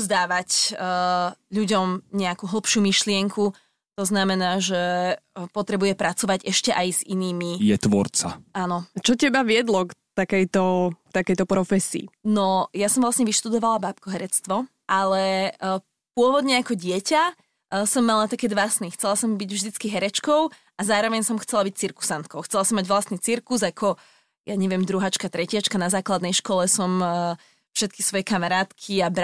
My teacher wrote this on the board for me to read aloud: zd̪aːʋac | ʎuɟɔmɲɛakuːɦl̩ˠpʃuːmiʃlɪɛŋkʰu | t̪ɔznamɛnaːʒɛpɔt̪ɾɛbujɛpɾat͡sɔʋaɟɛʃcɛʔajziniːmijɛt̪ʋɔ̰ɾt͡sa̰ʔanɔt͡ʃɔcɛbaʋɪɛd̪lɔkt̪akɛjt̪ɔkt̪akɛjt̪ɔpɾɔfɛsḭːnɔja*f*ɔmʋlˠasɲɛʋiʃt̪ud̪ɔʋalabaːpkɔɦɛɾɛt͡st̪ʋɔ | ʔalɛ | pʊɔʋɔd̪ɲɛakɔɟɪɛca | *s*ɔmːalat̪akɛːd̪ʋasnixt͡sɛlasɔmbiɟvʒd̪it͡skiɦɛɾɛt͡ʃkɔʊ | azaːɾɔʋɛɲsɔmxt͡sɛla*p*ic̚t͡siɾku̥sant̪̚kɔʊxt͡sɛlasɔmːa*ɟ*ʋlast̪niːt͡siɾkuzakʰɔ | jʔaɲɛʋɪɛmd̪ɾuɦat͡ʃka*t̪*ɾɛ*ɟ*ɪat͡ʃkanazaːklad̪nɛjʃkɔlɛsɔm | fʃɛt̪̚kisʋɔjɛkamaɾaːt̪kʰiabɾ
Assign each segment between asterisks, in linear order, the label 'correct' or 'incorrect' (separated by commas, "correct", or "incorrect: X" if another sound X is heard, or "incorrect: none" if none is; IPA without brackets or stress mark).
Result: incorrect: s, correct, incorrect: b, correct, correct, incorrect: c